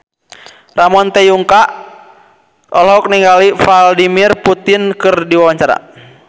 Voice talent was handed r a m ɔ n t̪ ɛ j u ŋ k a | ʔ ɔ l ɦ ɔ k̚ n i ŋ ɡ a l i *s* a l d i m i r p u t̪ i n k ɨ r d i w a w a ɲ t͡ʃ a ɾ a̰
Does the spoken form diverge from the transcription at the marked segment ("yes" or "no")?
yes